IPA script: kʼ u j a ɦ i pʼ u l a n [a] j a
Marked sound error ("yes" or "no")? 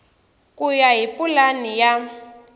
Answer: yes